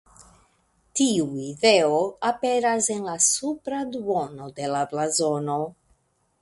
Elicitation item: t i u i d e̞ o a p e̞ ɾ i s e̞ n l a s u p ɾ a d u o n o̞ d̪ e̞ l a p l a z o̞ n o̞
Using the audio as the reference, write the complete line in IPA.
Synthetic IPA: t i u i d e̞ o a p e̞ ɾ a s e̞ n l a s u p ɾ a d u o n o̞ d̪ e̞ l a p l a z o̞ n o̞